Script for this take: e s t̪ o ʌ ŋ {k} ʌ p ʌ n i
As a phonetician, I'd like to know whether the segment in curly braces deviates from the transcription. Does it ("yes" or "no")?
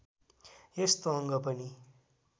yes